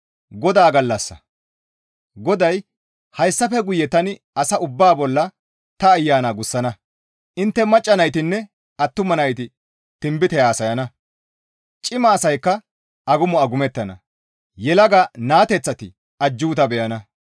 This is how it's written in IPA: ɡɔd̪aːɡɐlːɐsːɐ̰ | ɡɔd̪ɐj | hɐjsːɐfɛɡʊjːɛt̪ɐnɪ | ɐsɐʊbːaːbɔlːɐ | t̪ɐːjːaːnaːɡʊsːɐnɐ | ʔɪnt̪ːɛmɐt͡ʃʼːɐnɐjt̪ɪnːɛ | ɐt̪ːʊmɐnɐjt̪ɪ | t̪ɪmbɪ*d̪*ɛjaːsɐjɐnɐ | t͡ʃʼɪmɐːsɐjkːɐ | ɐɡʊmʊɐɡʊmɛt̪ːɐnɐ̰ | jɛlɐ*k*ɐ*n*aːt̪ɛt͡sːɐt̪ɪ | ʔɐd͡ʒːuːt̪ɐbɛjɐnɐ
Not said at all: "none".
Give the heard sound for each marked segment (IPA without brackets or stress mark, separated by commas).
t̪, ɡ, n